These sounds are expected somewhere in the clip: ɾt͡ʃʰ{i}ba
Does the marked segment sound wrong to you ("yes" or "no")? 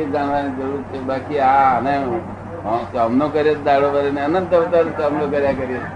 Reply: yes